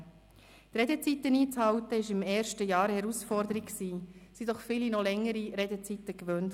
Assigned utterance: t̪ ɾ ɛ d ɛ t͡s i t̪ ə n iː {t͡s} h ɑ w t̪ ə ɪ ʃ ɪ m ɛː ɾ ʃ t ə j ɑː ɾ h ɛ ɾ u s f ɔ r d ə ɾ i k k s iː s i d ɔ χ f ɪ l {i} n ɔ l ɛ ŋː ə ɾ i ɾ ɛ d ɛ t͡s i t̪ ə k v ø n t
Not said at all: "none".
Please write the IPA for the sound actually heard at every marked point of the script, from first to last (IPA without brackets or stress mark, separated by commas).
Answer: t͡s, i